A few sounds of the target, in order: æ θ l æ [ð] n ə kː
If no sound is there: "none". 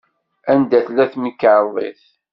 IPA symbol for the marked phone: θ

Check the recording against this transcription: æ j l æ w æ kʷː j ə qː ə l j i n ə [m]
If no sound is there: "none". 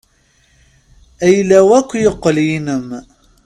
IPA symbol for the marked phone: m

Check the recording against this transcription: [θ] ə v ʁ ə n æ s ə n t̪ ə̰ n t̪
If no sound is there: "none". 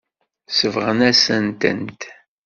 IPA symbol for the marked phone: s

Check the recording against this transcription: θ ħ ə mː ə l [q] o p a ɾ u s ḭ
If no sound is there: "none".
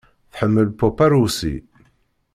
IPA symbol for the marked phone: p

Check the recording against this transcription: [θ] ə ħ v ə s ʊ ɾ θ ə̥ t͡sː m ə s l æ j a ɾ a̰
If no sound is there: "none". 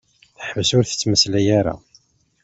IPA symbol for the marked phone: θ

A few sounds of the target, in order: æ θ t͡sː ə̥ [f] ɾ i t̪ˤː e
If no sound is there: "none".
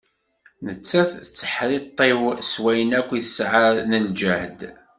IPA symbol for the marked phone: ħ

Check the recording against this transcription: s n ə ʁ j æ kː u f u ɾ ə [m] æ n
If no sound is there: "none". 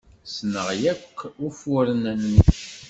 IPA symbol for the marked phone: n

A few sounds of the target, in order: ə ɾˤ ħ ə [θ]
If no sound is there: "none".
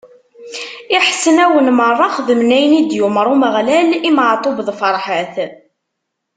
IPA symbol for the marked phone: θ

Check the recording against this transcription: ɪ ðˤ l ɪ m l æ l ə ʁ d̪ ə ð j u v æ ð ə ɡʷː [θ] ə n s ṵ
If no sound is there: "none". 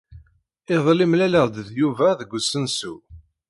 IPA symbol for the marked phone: s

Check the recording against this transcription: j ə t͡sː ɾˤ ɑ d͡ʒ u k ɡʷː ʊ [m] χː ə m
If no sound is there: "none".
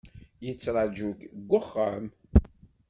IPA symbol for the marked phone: none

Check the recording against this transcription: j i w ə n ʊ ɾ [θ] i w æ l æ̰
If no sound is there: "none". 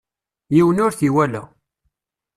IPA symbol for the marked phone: θ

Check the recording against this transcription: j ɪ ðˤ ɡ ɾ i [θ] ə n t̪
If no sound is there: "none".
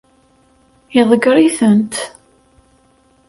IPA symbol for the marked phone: θ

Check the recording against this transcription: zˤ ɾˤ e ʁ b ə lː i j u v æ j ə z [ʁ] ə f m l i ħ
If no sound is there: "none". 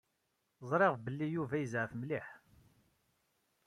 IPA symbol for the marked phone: ʕ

